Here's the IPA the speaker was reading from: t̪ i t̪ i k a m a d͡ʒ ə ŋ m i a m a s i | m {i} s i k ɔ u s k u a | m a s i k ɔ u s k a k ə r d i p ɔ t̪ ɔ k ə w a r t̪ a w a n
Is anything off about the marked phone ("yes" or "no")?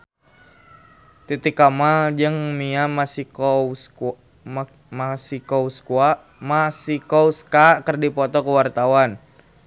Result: yes